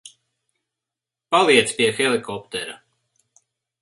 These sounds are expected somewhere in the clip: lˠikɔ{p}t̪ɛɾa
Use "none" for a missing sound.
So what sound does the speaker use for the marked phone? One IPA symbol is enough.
p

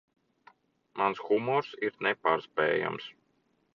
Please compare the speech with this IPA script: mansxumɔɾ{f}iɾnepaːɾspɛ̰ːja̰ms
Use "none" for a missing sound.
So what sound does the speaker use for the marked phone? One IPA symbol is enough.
s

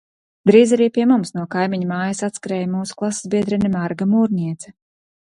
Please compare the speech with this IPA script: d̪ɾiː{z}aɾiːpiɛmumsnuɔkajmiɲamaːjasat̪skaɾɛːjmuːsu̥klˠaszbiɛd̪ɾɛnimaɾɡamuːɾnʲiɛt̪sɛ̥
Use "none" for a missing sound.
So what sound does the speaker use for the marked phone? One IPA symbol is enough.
z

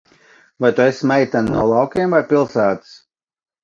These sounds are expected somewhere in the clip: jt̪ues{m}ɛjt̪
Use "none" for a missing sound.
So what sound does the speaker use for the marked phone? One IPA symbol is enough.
m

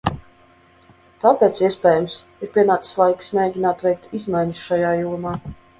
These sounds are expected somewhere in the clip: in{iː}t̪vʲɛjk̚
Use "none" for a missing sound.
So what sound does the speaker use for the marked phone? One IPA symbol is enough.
aː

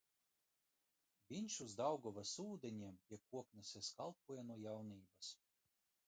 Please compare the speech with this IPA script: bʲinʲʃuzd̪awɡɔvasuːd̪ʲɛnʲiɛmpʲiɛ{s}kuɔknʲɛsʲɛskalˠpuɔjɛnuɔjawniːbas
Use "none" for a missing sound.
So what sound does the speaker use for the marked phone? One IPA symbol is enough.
none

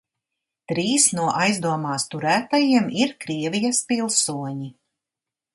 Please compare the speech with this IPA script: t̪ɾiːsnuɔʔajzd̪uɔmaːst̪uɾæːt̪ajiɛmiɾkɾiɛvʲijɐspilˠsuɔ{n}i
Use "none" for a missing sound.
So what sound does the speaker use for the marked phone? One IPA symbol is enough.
ɲ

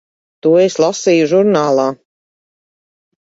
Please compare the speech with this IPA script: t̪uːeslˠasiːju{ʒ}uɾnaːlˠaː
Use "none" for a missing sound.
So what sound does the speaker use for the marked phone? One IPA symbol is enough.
ʒ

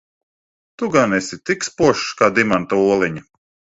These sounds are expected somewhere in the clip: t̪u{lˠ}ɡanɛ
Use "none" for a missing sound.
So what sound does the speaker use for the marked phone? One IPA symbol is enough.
none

